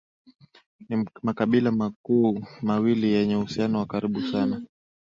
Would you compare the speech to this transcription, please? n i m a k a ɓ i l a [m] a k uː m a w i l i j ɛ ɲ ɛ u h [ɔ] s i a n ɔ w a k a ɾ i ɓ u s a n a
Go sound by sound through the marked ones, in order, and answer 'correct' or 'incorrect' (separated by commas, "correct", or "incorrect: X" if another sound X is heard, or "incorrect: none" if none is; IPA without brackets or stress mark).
correct, incorrect: u